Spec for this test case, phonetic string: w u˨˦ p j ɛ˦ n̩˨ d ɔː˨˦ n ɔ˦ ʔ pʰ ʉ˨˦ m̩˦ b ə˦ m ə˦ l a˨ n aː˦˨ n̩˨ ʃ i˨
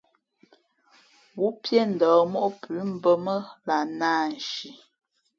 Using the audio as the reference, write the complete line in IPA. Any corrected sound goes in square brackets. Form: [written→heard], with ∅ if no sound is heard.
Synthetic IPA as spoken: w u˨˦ p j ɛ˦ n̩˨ d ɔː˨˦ [n→m] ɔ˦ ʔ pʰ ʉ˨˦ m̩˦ b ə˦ m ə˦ l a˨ n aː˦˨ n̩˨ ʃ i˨